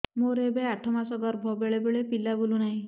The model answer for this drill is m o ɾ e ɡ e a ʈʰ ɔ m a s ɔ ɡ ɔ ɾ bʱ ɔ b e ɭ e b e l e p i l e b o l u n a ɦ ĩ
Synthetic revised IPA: m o ɾ e b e a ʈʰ ɔ m a s ɔ ɡ ɔ ɾ bʱ ɔ b e ɭ e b e ɭ e p i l a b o l u n a ɦ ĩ